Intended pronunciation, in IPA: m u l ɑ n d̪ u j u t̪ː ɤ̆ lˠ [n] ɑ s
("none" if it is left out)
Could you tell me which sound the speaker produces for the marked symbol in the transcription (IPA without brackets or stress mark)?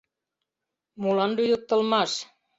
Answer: m